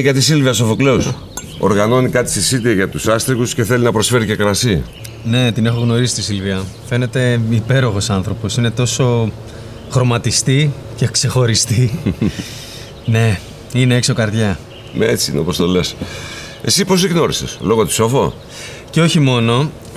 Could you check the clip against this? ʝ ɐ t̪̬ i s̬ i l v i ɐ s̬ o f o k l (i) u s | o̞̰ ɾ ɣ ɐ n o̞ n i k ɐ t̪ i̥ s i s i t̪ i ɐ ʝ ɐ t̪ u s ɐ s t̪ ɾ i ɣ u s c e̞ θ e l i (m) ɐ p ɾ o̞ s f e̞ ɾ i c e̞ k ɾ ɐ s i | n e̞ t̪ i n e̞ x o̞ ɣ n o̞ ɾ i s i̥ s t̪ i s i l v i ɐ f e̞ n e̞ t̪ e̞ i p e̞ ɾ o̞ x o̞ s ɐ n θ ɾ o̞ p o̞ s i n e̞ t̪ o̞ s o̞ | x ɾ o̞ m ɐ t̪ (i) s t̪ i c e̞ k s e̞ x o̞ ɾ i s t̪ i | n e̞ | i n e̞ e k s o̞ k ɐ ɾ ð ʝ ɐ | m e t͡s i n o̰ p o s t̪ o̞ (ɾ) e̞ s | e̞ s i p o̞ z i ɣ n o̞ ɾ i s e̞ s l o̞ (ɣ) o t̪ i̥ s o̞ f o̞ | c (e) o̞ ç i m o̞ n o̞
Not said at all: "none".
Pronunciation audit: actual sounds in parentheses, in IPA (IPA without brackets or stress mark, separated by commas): e, n, i, l, ɣ, e